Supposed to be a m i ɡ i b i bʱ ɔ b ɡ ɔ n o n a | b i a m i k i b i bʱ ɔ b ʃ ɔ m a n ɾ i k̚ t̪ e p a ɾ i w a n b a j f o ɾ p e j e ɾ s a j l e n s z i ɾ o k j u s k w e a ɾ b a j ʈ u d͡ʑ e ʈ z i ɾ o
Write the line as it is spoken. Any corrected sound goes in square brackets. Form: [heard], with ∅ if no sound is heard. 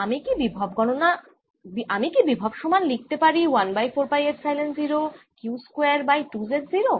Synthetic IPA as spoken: a m i [k] i b i bʱ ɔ b ɡ ɔ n o n a | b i a m i k i b i bʱ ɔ b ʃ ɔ m a n [l] i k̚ t̪ e p a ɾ i w a n b a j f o ɾ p [a] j e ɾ s a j l e n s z i ɾ o k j u s k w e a ɾ b a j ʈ u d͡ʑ e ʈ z i ɾ o

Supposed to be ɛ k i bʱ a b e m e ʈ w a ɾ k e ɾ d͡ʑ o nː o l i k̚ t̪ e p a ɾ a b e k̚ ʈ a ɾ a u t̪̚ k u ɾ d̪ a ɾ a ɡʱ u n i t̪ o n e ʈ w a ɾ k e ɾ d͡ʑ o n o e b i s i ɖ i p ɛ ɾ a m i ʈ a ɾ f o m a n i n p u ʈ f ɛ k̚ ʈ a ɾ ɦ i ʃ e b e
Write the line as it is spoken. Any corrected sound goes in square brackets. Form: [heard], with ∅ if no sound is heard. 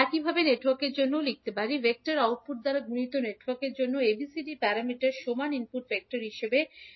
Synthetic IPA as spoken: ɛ k i bʱ a b e [n] e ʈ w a ɾ k e ɾ d͡ʑ o nː o l i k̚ t̪ e p a ɾ [i] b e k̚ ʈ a ɾ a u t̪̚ [p] u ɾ d̪ a ɾ a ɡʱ u n i t̪ o n e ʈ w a ɾ k e ɾ d͡ʑ o [nː] o e b i s i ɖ i p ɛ ɾ a m i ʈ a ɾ [ʃ] o m a n i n p u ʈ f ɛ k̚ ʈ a ɾ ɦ i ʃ e b e

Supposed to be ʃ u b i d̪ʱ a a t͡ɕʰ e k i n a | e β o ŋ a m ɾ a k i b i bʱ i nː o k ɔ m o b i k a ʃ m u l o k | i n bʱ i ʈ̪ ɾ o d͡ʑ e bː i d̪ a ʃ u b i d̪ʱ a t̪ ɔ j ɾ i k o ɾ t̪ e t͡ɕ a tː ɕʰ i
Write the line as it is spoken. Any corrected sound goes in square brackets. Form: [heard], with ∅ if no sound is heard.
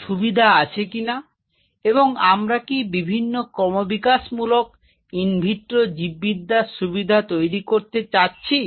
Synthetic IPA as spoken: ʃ u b i d̪ʱ a a t͡ɕʰ e k i n a | e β o ŋ a m ɾ a k i b i bʱ i nː o k ɔ m o b i k a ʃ m u l o k | i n bʱ i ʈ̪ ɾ o d͡ʑ [i] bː i d̪ a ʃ u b i d̪ʱ a t̪ [o] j ɾ i k o ɾ t̪ e t͡ɕ a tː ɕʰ i

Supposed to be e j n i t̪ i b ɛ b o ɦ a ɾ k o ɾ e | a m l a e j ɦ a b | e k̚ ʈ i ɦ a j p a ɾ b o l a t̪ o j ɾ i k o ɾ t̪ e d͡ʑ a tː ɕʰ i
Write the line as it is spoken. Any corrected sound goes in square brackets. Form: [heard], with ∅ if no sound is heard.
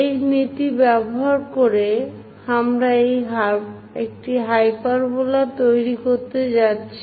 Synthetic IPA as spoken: e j n i t̪ i b ɛ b o ɦ a ɾ k o ɾ e | a m [ɾ] a e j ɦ a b | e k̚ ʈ i ɦ a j p a ɾ b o l a t̪ o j ɾ i k o ɾ t̪ e d͡ʑ a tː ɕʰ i

